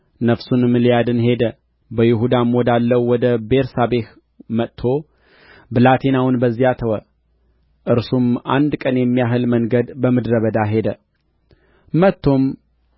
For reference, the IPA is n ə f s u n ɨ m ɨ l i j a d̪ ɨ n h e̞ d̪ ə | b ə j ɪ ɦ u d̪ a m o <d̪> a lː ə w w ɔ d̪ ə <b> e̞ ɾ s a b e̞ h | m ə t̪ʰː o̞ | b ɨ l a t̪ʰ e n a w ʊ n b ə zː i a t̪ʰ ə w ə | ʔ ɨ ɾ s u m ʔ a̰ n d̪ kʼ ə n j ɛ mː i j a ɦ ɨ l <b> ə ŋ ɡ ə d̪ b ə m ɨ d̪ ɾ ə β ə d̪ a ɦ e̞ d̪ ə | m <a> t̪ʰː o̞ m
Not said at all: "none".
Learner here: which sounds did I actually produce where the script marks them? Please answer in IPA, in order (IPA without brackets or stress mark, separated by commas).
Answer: d̪, b, m, ə